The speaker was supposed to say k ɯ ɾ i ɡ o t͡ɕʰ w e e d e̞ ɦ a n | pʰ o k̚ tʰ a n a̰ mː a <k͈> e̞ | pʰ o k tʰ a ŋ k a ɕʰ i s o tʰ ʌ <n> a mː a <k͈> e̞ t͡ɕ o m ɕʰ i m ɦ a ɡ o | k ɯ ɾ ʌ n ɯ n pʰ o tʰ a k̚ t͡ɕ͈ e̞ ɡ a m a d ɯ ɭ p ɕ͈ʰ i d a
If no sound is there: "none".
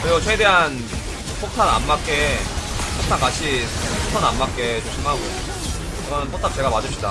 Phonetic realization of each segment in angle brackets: k͈, n, k͈

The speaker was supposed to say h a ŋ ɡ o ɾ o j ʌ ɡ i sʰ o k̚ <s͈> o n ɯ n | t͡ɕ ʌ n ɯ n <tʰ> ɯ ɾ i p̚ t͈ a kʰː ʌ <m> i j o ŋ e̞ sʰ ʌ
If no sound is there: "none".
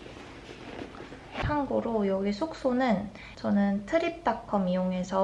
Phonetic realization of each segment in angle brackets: s͈, tʰ, m

